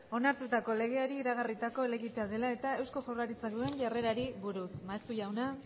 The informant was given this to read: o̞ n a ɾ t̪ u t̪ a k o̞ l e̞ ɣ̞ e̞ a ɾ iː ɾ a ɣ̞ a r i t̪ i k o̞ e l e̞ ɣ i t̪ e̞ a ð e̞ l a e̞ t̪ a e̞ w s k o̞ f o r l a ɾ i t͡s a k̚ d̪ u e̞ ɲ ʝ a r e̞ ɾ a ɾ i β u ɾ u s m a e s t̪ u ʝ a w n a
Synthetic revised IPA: o̞ n a ɾ t̪ u t̪ a k o̞ l e̞ ɣ̞ e̞ a ɾ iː ɾ a ɣ̞ a r i t̪ a k o̞ e l e̞ ɣ i t̪ e̞ a ð e̞ l a e̞ t̪ a e̞ w s k o̞ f o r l a ɾ i t͡s a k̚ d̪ u e̞ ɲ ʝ a r e̞ ɾ a ɾ i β u ɾ u s m a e s t̪ u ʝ a w n a